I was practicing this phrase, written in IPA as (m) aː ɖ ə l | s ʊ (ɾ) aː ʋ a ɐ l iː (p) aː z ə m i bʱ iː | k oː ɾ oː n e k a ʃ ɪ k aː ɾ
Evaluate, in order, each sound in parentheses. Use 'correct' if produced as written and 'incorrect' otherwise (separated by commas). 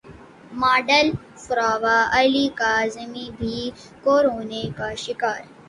correct, correct, incorrect